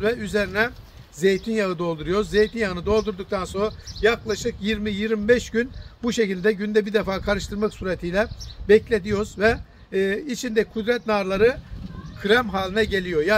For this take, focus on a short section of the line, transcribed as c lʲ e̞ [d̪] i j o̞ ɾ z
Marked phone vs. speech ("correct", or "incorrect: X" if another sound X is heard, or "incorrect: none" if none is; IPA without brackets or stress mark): correct